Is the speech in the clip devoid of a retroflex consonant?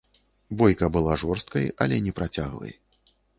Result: no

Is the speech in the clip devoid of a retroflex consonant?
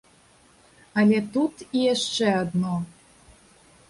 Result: no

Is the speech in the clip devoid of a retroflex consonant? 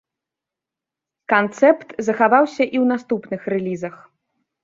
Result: yes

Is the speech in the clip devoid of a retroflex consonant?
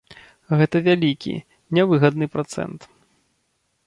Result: yes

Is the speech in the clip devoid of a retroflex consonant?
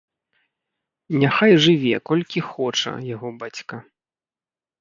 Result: no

